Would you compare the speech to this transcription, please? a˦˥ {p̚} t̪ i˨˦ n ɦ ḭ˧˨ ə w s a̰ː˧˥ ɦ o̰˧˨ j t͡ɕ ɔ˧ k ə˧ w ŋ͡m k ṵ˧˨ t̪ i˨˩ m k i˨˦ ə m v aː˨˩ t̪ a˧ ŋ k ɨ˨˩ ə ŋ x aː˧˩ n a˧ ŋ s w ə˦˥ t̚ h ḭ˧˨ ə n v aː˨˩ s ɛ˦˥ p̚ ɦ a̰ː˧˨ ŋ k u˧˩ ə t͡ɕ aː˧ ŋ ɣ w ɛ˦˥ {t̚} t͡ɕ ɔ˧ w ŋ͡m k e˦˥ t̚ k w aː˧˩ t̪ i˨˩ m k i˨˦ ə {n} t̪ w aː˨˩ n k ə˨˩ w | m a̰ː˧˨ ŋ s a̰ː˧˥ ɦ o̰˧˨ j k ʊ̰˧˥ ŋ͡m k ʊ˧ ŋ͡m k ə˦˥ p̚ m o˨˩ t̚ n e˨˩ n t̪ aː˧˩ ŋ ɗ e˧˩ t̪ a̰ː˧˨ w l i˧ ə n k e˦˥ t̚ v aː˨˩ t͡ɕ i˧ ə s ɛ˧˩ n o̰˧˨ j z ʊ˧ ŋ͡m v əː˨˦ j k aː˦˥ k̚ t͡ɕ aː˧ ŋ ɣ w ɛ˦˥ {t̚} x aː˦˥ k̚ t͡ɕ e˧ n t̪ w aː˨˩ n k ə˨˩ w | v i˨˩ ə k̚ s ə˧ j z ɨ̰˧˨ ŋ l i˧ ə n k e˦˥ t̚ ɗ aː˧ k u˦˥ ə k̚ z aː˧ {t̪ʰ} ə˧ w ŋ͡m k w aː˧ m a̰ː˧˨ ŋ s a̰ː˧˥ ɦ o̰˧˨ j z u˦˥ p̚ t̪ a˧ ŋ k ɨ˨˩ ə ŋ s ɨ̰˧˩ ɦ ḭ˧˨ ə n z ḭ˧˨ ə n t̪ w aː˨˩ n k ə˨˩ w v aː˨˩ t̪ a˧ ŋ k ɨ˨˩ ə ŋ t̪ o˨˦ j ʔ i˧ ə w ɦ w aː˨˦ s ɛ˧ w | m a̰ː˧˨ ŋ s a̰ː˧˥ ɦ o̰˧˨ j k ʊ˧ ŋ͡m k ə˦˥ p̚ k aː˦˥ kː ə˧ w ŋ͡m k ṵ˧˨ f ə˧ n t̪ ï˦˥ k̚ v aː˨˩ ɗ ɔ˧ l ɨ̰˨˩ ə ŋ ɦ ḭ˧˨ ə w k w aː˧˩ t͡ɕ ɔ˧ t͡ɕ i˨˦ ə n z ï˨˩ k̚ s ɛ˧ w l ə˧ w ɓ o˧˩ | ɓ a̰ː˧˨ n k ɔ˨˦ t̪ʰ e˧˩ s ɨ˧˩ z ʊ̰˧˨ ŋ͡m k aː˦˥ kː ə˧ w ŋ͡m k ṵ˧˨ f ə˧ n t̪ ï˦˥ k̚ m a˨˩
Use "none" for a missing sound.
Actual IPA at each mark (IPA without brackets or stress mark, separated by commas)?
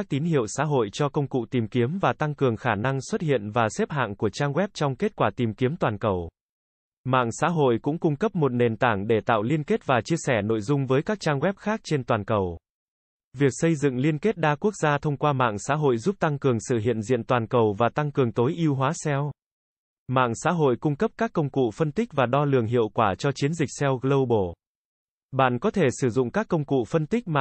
k̚, p̚, m, p̚, t̪ʰ